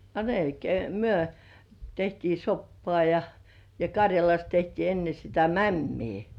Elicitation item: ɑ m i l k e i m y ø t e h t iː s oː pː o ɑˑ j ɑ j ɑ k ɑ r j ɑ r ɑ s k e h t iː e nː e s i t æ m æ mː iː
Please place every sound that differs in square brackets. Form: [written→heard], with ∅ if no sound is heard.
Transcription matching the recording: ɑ m [i→e] l k e i m y ø t e h t iː s [oː→o] pː o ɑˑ j ɑ j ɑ k ɑ r j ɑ [r→l] ɑ s [k→t] e h t iː e nː e s i t æ m æ mː iː